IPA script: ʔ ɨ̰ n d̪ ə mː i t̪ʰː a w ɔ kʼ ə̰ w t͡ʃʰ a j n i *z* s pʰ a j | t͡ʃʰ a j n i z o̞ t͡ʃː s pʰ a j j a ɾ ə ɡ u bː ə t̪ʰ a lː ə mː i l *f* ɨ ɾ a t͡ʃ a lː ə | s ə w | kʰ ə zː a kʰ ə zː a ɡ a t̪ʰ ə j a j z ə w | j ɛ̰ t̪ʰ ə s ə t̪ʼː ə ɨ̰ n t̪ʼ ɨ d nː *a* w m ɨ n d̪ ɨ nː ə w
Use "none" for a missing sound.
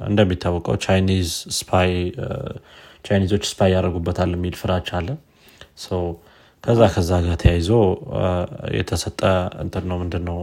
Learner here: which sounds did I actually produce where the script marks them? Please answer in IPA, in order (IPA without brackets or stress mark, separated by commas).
z, f, ə